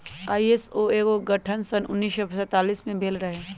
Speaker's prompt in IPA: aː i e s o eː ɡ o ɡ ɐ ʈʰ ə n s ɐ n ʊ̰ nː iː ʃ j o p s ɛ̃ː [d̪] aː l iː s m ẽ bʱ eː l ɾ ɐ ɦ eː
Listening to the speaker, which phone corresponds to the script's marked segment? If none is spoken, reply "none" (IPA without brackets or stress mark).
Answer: t̪